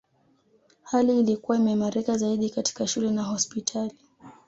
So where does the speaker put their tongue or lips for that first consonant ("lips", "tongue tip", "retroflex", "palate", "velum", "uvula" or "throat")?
throat